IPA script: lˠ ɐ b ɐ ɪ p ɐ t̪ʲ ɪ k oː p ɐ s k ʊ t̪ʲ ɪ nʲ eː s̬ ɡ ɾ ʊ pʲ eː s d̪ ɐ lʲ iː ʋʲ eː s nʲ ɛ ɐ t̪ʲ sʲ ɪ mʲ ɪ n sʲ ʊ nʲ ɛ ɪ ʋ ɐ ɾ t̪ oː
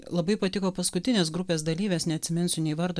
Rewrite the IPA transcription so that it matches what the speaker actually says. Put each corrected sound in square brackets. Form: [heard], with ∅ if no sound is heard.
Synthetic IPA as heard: lˠ ɐ b ɐ ɪ p ɐ t̪ʲ ɪ k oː p ɐ s k ʊ t̪ʲ ɪ nʲ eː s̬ ɡ ɾ ʊ pʲ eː s d̪ ɐ lʲ iː ʋʲ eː s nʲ ɛ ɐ t̪ʲ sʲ ɪ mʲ ɪ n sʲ ʊ nʲ ɛ ɪ ʋ ɐ ɾ [d̪] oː